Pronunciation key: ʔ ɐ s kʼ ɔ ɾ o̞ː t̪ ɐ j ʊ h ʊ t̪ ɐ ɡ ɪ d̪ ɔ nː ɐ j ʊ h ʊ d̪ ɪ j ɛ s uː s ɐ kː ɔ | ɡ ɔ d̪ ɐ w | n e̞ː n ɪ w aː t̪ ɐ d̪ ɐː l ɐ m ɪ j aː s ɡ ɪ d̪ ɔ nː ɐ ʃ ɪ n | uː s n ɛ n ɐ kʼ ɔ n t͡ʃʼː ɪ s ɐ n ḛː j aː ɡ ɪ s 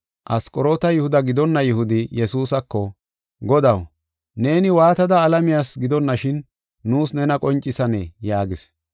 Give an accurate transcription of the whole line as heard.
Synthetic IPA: ʔ ɐ s kʼ ɔ ɾ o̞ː t̪ ɐ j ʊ h ʊ d̪ ɐ ɡ ɪ d̪ ɔ nː ɐ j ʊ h ʊ d̪ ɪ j ɛ s uː s ɐ kː ɔ | ɡ ɔ d̪ ɐ w | n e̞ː n ɪ w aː t̪ ɐ d̪ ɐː l ɐ m ɪ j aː s ɡ ɪ d̪ ɔ nː ɐ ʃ ɪ nː | uː s n ɛ n ɐ kʼ ɔ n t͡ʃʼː ɪ s ɐ n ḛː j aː ɡ ɪ s